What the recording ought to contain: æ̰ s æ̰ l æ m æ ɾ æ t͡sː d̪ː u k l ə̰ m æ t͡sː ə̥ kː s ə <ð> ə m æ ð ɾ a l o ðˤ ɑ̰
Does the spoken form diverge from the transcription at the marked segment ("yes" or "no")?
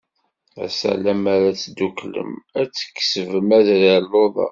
yes